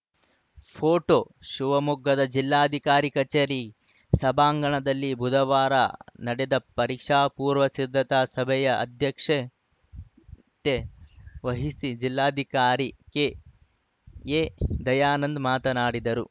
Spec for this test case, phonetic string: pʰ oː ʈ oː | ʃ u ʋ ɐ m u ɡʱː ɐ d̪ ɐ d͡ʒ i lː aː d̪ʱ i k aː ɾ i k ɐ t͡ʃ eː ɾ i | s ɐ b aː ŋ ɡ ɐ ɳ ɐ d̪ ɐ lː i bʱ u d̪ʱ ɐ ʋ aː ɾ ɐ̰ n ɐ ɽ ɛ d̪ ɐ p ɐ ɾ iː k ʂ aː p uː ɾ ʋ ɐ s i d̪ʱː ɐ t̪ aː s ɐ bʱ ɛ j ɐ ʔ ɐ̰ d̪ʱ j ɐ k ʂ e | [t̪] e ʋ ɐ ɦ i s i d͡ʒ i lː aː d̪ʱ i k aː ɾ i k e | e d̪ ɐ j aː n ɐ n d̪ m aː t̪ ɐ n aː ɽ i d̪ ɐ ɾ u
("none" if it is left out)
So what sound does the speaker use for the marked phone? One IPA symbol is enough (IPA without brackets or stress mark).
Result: t̪